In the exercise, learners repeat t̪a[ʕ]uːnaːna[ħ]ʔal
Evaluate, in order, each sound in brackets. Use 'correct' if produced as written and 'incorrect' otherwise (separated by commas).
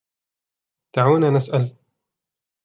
correct, incorrect